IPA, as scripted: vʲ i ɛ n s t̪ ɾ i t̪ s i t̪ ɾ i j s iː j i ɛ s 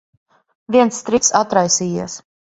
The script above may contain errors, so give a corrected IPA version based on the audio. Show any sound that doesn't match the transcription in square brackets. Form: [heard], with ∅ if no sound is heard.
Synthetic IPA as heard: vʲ i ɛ n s t̪ ɾ i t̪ s [a] t̪ ɾ [a] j s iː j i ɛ s